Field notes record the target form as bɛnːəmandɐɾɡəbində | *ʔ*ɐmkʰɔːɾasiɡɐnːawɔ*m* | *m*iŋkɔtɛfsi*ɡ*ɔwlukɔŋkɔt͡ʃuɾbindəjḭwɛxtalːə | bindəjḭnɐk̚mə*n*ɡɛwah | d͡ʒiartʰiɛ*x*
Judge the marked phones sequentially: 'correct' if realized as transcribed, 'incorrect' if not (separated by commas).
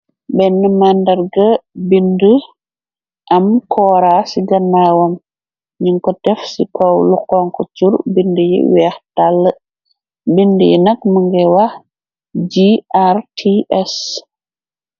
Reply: correct, correct, incorrect, incorrect, incorrect, incorrect